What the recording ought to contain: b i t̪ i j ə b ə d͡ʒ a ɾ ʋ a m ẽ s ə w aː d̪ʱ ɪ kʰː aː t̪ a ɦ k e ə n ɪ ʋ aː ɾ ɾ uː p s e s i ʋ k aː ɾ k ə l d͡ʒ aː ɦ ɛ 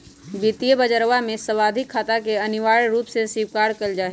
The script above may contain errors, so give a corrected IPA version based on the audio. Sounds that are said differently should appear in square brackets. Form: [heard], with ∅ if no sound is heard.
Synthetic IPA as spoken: b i t̪ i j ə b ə d͡ʒ [ə] ɾ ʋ a m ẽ s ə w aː d̪ʱ ɪ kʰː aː t̪ a [∅] k e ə n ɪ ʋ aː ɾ ɾ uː p s e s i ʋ k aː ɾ k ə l d͡ʒ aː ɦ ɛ